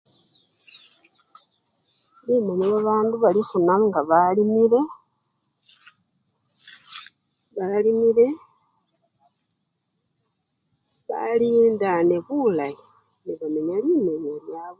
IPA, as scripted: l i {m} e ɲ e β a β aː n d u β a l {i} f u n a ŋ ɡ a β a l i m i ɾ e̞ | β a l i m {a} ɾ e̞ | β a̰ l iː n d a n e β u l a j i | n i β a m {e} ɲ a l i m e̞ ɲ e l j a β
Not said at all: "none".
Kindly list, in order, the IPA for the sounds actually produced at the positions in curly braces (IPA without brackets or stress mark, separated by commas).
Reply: m, i, i, e